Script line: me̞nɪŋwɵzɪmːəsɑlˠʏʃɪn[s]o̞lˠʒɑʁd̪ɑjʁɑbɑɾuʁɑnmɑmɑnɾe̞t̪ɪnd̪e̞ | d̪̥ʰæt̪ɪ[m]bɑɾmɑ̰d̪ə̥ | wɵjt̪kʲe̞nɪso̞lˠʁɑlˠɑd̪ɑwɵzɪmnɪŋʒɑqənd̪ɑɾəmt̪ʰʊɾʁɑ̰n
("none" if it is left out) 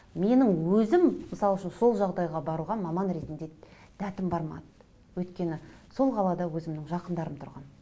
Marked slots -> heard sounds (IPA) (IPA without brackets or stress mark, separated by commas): s, m